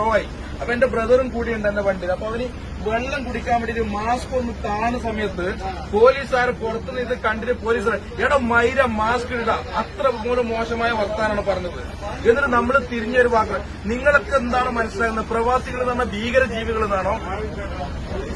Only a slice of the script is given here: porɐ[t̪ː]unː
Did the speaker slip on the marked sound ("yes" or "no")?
no